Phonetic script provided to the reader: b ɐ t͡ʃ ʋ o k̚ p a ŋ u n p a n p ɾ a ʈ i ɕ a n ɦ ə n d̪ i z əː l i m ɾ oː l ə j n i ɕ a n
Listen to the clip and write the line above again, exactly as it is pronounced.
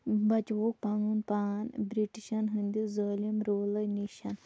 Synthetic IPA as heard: b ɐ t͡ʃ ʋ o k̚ p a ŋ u n p a n b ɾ i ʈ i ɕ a n ɦ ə n d̪ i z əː l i m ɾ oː l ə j n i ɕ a n